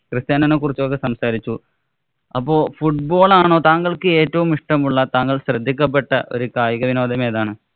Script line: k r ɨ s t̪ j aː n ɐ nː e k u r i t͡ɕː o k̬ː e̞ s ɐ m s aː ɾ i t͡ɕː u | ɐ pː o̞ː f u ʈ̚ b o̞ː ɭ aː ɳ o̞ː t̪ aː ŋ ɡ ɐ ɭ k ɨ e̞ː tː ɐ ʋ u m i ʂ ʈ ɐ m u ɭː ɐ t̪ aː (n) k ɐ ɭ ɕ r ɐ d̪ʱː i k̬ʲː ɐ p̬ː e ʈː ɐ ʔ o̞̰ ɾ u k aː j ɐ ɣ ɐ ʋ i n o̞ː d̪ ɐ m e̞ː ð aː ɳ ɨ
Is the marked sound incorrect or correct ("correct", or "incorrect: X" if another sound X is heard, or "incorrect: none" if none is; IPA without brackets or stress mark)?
incorrect: ŋ